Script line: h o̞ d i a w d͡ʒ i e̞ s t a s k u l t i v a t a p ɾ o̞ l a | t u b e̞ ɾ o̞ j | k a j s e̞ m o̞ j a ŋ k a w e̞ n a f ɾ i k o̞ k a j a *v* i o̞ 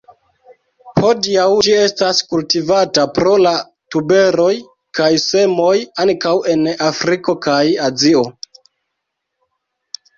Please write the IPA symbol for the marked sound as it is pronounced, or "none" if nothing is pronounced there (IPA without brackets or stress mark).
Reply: z